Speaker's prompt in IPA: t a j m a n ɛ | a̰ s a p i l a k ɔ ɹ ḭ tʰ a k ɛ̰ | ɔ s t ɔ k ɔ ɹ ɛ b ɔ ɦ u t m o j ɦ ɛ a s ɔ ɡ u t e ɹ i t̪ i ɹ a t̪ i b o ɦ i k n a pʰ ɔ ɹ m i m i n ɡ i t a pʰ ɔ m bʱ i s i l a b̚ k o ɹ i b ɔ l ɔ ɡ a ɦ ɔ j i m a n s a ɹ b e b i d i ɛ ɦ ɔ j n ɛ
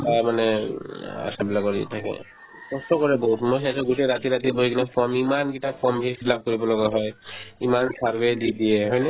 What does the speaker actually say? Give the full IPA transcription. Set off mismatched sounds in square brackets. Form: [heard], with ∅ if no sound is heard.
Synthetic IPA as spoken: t a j m a n ɛ | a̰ s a [b] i l a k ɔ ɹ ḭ tʰ a k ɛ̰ | ɔ s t ɔ k ɔ ɹ ɛ b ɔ ɦ u t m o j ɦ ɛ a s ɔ ɡ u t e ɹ [a] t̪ i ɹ a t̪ i b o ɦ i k n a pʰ ɔ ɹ m i m [a] n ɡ i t a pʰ ɔ m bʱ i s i l a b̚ k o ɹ i b ɔ l ɔ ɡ a ɦ ɔ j i m a n s a ɹ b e [d] i d i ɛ ɦ ɔ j n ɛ